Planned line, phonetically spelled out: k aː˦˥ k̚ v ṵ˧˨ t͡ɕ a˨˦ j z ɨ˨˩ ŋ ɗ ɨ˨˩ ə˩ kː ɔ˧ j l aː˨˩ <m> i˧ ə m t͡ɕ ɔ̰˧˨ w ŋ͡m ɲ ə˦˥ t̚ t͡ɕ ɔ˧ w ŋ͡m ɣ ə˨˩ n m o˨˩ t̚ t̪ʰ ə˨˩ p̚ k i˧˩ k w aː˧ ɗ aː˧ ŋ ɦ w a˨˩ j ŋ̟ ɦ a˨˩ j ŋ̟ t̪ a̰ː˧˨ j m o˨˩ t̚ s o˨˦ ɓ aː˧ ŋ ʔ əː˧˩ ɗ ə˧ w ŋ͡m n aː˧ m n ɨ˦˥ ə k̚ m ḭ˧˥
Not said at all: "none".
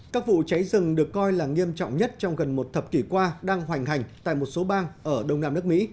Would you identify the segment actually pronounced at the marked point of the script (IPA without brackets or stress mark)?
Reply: ŋ